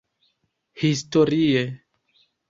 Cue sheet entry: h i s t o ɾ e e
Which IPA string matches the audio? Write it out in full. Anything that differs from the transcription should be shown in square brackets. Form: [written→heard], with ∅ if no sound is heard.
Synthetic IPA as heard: h i s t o ɾ [e→i] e